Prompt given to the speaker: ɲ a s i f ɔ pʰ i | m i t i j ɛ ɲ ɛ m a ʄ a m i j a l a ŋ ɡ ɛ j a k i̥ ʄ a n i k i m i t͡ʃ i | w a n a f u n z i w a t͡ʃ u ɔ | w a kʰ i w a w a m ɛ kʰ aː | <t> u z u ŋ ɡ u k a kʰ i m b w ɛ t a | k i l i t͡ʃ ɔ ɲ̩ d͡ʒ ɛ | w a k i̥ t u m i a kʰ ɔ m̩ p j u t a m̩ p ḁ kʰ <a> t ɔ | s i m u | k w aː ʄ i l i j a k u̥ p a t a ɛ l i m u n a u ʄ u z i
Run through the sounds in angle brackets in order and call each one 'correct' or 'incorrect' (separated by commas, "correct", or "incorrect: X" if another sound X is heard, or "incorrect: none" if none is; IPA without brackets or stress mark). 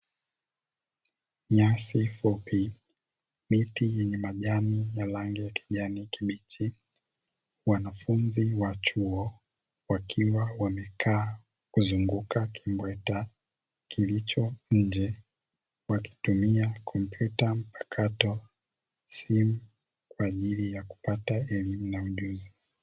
incorrect: k, correct